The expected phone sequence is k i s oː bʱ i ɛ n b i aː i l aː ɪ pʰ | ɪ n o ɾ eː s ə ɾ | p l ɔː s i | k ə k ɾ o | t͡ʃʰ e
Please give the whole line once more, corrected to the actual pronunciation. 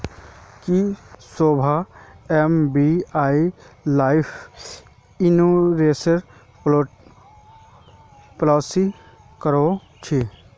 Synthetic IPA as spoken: k i s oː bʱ a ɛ m b i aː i l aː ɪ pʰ | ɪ n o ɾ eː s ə ɾ | p l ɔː s i | k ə ɾ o | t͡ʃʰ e